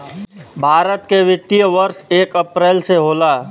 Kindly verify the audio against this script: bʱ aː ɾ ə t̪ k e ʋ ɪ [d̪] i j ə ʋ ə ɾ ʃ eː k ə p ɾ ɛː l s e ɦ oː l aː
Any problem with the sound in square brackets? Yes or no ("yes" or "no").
yes